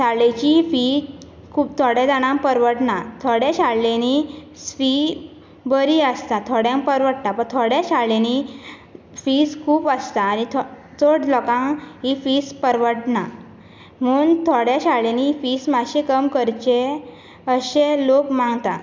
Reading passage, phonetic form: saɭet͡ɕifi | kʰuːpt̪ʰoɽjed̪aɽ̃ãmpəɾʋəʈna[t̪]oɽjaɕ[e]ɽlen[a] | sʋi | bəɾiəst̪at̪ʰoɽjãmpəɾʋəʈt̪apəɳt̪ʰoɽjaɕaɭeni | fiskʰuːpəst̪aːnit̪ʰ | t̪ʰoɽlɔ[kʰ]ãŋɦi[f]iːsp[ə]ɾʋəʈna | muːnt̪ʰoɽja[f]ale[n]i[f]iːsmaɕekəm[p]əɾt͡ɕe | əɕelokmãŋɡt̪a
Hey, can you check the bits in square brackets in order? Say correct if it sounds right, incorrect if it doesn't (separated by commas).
incorrect, incorrect, incorrect, incorrect, correct, correct, incorrect, correct, correct, incorrect